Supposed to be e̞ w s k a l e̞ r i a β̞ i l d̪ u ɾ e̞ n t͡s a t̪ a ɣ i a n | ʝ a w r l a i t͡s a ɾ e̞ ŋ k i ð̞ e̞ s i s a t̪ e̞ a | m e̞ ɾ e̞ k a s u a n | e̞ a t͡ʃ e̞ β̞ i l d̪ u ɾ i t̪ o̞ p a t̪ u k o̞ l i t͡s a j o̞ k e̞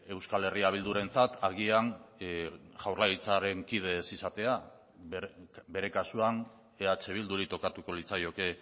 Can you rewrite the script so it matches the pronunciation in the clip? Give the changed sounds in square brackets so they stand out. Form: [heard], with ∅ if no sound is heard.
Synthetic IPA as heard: e̞ w s k a l e̞ r i a β̞ i l d̪ u ɾ e̞ n t͡s a t̪ a ɣ i a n | ʝ a w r l a i t͡s a ɾ e̞ ŋ k i ð̞ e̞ s i s a t̪ e̞ a | [b] e̞ ɾ e̞ k a s u a n | e̞ a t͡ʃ e̞ β̞ i l d̪ u ɾ i t̪ o̞ [k] a t̪ u k o̞ l i t͡s a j o̞ k e̞